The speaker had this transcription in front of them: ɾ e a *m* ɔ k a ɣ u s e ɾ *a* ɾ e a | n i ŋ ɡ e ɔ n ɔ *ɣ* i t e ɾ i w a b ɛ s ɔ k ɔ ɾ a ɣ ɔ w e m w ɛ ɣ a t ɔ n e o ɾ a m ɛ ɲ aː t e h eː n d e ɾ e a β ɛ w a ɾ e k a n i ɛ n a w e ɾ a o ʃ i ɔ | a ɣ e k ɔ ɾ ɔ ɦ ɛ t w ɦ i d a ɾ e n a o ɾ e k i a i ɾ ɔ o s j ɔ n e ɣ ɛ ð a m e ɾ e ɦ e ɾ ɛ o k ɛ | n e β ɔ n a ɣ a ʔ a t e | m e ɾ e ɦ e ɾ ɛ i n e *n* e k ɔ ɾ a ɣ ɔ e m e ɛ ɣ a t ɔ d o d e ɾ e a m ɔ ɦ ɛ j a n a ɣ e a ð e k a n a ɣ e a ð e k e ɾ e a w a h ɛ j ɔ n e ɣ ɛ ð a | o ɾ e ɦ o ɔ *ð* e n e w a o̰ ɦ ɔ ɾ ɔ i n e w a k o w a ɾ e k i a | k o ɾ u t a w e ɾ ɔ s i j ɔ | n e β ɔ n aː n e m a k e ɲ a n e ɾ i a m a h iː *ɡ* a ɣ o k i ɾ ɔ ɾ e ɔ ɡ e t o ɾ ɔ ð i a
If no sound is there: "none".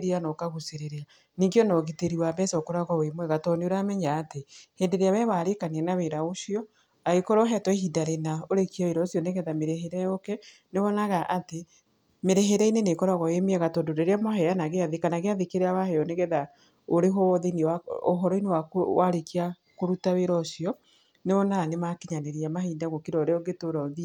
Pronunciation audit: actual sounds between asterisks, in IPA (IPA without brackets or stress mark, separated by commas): n, e, ɣ, n, ð, d